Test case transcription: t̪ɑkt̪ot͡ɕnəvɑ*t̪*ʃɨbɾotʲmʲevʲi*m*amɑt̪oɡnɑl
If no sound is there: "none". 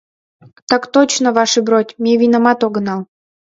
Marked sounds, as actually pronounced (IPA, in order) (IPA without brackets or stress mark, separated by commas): none, n